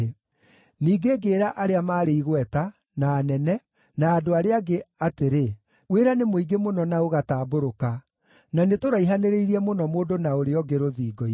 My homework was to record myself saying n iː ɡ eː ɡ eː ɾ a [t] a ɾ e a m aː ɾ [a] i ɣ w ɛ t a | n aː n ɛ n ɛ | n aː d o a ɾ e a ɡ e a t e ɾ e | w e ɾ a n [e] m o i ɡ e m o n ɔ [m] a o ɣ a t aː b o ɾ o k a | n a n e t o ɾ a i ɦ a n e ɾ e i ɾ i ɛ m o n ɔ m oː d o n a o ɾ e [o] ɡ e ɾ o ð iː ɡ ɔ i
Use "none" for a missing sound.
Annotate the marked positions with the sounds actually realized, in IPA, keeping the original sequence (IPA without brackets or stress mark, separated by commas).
ʔ, e, e, n, ɔ